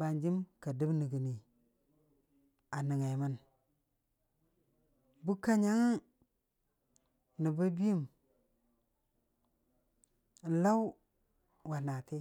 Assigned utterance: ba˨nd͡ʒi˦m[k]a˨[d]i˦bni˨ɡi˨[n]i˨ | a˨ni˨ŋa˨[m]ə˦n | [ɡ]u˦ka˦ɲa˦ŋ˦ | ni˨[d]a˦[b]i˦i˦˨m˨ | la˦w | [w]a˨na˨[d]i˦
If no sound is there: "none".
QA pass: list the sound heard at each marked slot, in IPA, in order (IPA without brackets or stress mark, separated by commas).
k, d, n, m, b, b, b, w, t